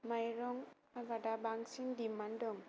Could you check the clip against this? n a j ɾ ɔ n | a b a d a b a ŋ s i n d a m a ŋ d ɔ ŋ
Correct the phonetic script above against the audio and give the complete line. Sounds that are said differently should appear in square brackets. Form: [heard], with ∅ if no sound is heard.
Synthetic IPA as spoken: [m] a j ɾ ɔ [ŋ] | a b a d a b a ŋ s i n d [i] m a [n] d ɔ ŋ